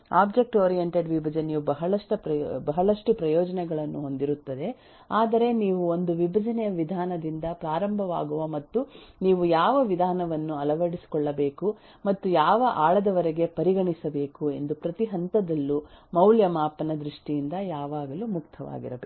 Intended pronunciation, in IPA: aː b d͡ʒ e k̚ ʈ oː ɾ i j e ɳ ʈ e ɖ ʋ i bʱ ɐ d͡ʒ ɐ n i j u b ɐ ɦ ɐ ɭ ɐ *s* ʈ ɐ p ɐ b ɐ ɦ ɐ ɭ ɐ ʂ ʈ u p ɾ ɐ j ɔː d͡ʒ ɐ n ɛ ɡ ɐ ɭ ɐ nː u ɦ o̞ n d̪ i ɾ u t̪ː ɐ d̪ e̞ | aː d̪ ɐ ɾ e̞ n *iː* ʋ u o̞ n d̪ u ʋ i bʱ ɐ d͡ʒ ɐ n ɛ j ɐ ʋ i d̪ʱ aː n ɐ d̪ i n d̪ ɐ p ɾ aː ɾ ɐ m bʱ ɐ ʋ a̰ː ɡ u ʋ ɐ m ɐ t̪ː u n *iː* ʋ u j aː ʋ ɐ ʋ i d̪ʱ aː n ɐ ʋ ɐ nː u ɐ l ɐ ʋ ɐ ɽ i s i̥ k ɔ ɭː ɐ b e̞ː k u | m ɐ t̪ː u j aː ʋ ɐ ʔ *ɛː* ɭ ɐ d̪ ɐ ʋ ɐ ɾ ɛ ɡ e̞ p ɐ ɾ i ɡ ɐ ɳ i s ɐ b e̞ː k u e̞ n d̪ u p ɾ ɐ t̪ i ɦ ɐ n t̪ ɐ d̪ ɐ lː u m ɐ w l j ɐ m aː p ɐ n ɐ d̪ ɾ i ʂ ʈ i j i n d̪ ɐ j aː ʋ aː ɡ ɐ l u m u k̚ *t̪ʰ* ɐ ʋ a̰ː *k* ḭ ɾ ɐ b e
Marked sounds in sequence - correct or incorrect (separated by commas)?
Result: incorrect, correct, correct, incorrect, correct, incorrect